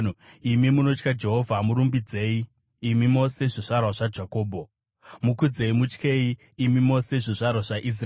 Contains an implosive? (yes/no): no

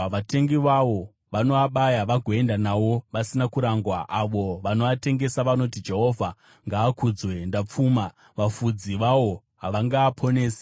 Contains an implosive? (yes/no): yes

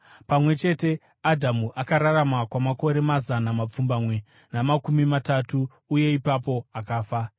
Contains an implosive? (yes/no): no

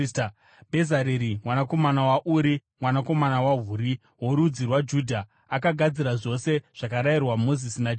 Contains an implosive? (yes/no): no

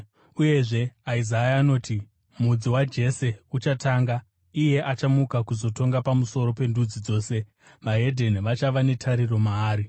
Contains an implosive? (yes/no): no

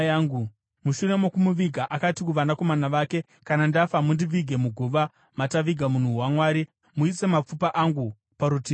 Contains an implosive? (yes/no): no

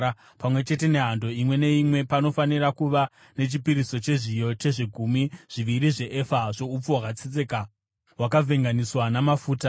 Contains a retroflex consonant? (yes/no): yes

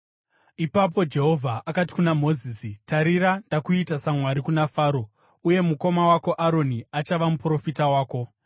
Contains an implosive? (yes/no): no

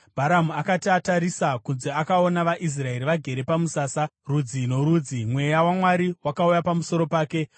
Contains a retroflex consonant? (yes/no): no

